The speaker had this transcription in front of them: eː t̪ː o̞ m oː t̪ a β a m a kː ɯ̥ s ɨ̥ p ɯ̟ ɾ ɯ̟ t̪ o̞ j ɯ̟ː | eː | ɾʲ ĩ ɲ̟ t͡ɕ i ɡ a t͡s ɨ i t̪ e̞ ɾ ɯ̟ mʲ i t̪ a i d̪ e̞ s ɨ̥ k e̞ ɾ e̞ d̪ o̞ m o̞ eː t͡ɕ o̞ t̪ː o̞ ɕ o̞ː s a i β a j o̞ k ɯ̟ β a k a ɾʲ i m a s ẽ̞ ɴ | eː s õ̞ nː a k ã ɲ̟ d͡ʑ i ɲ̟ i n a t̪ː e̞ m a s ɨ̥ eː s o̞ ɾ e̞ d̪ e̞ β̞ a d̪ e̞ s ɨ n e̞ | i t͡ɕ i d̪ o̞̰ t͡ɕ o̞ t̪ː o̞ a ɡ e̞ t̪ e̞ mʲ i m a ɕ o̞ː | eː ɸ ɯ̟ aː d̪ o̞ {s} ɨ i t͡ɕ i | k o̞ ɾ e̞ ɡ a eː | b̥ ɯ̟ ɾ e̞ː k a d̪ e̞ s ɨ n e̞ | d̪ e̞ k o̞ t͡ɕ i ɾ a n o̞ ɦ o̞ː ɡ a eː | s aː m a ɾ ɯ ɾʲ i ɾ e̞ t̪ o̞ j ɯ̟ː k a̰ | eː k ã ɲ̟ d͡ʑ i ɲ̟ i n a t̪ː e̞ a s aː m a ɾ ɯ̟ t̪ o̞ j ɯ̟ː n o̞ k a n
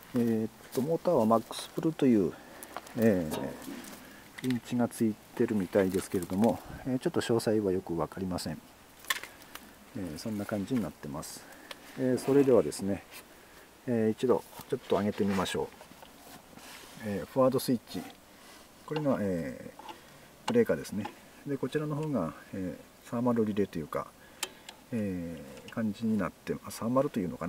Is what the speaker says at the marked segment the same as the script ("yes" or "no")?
yes